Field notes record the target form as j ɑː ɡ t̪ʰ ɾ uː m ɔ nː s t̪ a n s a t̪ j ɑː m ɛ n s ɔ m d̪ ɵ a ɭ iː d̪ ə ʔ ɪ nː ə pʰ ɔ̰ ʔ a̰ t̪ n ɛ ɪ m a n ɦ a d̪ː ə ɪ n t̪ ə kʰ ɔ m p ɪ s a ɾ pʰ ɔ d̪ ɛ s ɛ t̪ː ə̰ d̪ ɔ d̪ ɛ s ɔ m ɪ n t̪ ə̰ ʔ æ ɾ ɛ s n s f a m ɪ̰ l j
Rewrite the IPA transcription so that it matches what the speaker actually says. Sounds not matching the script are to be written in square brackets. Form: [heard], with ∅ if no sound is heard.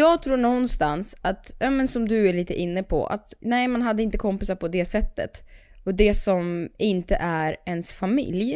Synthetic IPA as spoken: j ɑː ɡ t̪ʰ ɾ uː [ɳ] ɔ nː s t̪ a n s a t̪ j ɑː m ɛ n s ɔ m d̪ ɵ [æ] ɭ iː [t̪] ə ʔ ɪ nː ə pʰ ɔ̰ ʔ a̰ t̪ n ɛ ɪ m a n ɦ a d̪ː ə ɪ n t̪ ə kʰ ɔ m p ɪ s a ɾ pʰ ɔ d̪ ɛ s ɛ t̪ː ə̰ [t̪] ɔ d̪ ɛ s ɔ m ɪ n t̪ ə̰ ʔ æ ɾ ɛ [∅] n s f a m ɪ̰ l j